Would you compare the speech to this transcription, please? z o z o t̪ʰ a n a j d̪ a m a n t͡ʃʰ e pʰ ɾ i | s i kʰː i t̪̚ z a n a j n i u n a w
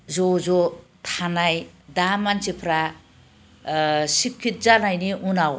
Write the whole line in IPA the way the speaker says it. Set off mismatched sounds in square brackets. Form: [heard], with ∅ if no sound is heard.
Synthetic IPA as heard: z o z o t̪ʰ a n a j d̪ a m a n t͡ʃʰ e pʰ ɾ [a] | s i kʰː i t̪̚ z a n a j n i u n a w